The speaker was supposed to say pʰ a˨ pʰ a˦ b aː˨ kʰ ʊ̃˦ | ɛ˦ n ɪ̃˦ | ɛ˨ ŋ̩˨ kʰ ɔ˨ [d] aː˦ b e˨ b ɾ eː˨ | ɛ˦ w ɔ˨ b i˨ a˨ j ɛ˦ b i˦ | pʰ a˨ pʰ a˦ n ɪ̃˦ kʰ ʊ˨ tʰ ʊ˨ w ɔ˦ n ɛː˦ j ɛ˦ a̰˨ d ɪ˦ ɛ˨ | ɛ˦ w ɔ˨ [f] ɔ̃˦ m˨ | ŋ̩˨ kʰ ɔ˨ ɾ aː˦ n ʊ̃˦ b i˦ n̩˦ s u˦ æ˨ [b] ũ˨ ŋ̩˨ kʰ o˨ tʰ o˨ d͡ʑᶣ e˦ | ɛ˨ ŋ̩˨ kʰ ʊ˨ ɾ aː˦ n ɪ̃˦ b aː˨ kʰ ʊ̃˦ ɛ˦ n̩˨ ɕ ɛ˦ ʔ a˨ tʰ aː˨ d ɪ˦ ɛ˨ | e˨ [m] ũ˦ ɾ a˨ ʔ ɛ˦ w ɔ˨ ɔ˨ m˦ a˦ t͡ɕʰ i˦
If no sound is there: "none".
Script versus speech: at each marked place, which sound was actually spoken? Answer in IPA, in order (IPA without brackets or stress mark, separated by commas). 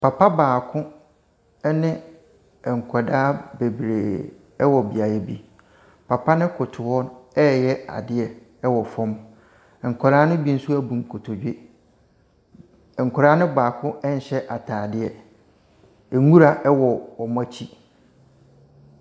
d, f, b, ŋ